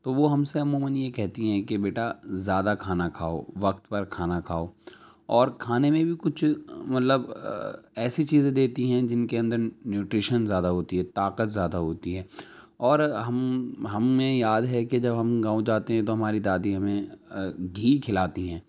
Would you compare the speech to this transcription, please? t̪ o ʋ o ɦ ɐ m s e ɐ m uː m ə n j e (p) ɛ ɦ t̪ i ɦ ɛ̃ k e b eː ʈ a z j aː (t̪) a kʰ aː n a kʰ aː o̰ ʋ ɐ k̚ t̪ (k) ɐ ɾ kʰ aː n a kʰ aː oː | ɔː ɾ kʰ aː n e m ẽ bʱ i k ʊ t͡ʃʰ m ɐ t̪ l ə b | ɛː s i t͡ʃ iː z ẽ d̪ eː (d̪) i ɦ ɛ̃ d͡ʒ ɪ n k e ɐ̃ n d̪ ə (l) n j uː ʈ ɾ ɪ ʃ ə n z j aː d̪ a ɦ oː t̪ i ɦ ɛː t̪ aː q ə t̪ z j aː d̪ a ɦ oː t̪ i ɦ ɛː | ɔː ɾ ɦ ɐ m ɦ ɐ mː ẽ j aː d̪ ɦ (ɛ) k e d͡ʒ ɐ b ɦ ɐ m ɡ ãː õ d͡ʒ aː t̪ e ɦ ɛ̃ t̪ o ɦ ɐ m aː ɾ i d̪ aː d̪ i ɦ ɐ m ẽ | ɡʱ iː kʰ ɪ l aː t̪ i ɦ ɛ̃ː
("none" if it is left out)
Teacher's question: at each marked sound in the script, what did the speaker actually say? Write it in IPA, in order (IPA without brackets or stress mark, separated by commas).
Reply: k, d̪, p, t̪, ɾ, ɛ